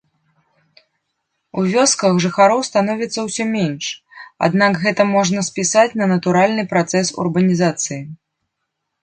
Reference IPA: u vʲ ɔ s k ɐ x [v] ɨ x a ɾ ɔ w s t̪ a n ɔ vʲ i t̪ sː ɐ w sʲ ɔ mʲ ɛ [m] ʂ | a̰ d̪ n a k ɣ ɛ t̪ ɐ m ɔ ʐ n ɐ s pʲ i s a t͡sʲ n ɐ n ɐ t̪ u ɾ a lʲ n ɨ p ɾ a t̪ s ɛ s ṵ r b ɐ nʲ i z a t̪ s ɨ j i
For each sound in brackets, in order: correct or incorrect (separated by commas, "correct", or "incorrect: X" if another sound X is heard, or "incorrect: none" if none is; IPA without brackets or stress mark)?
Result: incorrect: ʐ, incorrect: n